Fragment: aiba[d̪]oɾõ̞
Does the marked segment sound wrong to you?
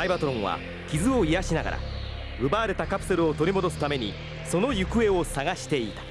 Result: yes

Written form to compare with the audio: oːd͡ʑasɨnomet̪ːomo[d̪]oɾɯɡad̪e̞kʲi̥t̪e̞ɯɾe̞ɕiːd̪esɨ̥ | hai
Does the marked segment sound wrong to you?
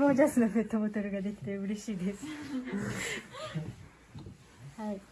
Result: yes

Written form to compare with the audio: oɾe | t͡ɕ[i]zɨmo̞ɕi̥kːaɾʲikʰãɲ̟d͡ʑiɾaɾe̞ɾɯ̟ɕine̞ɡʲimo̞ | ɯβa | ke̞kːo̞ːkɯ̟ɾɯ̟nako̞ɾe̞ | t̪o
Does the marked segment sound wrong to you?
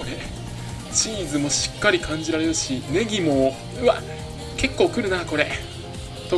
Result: yes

